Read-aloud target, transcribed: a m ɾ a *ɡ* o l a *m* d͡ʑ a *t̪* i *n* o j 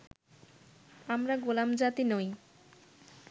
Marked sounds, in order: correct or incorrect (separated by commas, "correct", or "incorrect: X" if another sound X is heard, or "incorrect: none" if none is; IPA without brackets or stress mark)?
correct, correct, correct, correct